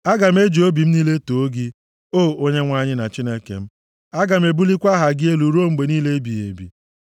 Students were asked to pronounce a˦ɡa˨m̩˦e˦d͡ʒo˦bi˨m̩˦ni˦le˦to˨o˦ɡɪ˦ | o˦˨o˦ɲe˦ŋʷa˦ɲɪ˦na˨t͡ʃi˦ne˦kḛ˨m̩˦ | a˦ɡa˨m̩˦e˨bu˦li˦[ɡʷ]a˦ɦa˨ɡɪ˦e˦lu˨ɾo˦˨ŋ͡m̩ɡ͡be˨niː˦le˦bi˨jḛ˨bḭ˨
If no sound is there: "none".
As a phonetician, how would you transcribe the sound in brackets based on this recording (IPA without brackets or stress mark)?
kʷ